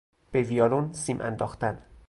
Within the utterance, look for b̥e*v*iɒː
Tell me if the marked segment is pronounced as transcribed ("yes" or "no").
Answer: yes